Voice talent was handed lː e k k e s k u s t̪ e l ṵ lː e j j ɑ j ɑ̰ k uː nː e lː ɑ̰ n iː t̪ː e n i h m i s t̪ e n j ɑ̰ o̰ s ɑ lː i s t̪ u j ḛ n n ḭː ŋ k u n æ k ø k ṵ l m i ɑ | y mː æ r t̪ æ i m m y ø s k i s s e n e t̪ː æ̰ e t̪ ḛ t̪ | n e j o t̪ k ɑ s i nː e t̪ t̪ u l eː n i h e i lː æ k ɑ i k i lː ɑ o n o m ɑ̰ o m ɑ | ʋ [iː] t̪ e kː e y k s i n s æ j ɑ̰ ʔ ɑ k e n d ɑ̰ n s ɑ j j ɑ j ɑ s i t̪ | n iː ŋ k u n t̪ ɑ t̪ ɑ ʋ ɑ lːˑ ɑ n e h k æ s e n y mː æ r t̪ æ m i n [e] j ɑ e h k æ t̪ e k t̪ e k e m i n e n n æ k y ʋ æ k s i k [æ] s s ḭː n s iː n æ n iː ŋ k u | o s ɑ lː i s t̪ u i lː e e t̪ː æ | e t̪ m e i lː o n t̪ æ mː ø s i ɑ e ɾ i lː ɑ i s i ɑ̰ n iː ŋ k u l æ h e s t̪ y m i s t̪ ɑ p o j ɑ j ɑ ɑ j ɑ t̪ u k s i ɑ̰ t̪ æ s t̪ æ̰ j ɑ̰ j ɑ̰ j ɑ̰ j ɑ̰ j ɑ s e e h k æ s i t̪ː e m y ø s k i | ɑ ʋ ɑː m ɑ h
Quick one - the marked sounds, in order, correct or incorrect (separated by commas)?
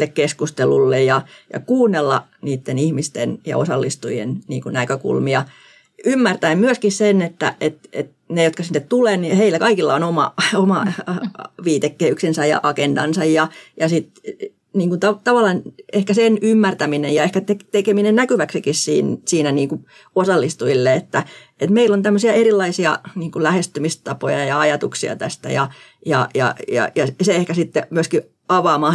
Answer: correct, correct, incorrect